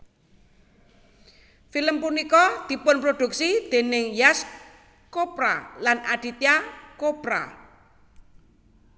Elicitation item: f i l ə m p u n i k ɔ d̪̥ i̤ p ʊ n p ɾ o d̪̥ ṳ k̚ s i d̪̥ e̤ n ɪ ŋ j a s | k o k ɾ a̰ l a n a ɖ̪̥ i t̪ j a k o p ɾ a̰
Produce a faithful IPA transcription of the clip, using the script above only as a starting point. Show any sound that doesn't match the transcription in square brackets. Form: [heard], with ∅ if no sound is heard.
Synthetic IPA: f i l ə m p u n i k ɔ d̪̥ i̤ p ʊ n p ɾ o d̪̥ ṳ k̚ s i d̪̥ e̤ n ɪ ŋ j a s | k o [p] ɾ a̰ l a n a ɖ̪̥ i t̪ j a k o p ɾ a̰

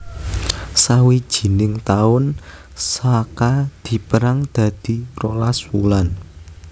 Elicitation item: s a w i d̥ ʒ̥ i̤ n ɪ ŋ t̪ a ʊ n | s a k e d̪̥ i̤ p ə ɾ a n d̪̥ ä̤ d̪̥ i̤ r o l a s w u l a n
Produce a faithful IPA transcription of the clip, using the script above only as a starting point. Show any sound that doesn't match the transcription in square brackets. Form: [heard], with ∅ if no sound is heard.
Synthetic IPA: s a w i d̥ ʒ̥ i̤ n ɪ ŋ t̪ a ʊ n | s a k [a] d̪̥ i̤ p ə ɾ a [ŋ] d̪̥ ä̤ d̪̥ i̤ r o l a s w u l a n

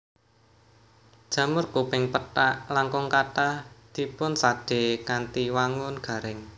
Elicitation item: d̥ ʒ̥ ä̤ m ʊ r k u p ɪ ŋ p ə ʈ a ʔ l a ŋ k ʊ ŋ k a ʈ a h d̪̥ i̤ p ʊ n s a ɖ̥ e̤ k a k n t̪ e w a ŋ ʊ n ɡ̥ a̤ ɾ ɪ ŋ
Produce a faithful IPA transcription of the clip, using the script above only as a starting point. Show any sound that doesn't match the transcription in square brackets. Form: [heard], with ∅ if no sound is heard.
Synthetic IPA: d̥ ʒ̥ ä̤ m ʊ r k u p ɪ ŋ p ə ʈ a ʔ l a ŋ k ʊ ŋ k a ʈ a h d̪̥ i̤ p ʊ n s a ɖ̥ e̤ k a [∅] n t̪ [i] w a ŋ ʊ n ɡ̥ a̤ ɾ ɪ ŋ

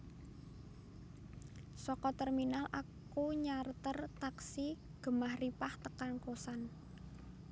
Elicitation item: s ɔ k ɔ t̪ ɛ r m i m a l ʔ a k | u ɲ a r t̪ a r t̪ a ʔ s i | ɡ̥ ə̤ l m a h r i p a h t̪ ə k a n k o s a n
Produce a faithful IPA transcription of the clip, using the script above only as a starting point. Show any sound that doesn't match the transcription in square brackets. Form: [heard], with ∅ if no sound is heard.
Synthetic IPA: s ɔ k ɔ t̪ ɛ r m i [n] a l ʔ a k | u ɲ a r t̪ [ə] r t̪ a [k] s i | ɡ̥ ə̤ [∅] m a h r i p a h t̪ ə k a n k o s a n

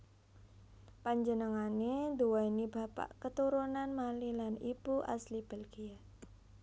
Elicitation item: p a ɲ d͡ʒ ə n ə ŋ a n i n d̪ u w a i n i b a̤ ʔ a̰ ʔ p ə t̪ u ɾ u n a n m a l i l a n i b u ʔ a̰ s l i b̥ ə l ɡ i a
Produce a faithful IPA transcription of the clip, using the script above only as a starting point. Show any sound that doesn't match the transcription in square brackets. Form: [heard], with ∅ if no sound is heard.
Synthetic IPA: p a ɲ d͡ʒ ə n ə ŋ a n [e] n d̪ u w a i n i b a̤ [p] a̰ ʔ [k] ə t̪ u ɾ u n a n m a l i l a n i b u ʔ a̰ s l i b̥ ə l ɡ i a

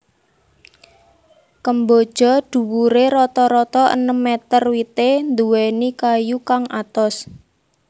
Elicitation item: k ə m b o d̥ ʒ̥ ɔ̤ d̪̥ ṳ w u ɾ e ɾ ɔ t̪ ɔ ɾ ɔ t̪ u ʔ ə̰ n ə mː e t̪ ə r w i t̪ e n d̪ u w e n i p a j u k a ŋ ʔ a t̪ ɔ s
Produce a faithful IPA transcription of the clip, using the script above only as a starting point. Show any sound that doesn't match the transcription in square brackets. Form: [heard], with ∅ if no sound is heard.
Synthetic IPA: k ə m b o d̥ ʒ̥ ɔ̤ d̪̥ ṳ w u ɾ e ɾ ɔ t̪ ɔ ɾ ɔ t̪ [ɔ] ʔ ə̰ n ə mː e t̪ ə r w i t̪ e n d̪ u w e n i [k] a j u k a ŋ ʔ a t̪ ɔ s

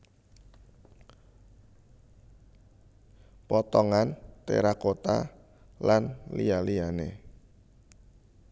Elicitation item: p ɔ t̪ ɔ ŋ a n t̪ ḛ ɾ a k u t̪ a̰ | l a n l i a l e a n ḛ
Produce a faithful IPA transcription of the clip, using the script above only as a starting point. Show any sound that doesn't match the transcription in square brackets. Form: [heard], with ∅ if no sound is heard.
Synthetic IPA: p ɔ t̪ ɔ ŋ a n t̪ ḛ ɾ a k [o] t̪ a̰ | l a n l i a l [i] a n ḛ

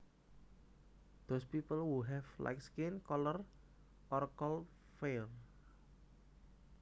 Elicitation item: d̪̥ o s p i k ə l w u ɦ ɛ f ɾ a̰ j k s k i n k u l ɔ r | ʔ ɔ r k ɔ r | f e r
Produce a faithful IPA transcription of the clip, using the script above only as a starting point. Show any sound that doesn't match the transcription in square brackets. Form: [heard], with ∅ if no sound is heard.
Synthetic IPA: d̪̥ o s p i [p] ə l w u ɦ ɛ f [l] a̰ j k s k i n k [ɔ] l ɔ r | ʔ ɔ r k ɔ [l] | f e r

